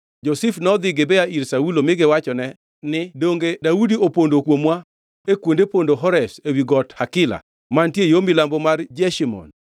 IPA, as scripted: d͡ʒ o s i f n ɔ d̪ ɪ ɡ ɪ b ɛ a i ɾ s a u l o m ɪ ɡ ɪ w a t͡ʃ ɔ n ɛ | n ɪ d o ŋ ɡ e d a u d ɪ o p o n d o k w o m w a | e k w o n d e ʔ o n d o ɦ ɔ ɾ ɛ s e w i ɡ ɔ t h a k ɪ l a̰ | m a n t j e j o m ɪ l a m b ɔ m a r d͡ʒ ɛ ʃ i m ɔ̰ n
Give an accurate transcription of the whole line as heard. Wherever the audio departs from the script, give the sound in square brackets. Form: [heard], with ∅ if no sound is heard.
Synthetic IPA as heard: d͡ʒ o s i f n ɔ d̪ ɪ ɡ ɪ b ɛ a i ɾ s a u l o m ɪ ɡ ɪ w a t͡ʃ ɔ n ɛ | n ɪ d o ŋ ɡ e d a u d [i] o p o n d o k w o m w a | e k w o n d e [p] o n d o ɦ ɔ ɾ ɛ s e w i ɡ ɔ t h a k ɪ l a̰ | m a n t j e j o m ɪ l a m b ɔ m a r d͡ʒ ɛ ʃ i m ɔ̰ n

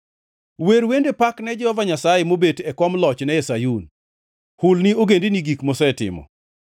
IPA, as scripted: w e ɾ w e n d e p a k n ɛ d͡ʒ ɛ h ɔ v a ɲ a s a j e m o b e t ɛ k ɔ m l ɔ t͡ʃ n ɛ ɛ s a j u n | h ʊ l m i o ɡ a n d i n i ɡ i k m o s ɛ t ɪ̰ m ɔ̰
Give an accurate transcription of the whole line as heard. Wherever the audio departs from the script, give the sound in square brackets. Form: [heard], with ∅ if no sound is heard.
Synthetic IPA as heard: w e ɾ w e n d e p a k n ɛ d͡ʒ ɛ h ɔ v a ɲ a s a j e m o b e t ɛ k ɔ m l ɔ t͡ʃ n ɛ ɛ s a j u n | h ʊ l [n] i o ɡ [e] n d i n i ɡ i k m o s ɛ t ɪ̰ m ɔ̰

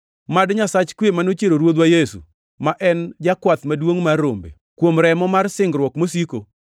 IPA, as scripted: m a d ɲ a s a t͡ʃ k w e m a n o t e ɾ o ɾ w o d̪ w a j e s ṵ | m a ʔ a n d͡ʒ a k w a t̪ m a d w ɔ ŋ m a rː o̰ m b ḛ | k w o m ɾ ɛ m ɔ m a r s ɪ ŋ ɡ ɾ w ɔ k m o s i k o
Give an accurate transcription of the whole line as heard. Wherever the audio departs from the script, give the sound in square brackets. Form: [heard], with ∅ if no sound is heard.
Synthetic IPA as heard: m a d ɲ a s a t͡ʃ k w e m a n o [t͡ʃ] e ɾ o ɾ w o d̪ w a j e s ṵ | m a ʔ [ɛ] n d͡ʒ a k w a t̪ m a d w [o] ŋ m a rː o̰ m b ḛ | k w o m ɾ ɛ m ɔ m a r s ɪ ŋ ɡ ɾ w ɔ k m o s i k o

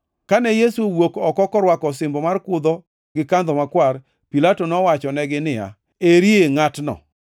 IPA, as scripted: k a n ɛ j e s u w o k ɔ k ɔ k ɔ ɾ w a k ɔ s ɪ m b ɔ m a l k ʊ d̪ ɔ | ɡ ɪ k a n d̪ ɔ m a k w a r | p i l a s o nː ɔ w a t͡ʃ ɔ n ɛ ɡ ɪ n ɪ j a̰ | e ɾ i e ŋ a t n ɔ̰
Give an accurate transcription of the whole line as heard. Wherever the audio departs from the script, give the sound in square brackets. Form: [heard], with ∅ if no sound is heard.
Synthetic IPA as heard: k a n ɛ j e s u w o k ɔ k ɔ k ɔ ɾ w a k ɔ s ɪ m b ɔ m a [r] k ʊ d̪ ɔ | ɡ ɪ k a n d̪ ɔ m a k w a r | p i l a [t] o [n] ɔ w a t͡ʃ ɔ n ɛ ɡ ɪ n ɪ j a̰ | e ɾ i e ŋ a t n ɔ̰

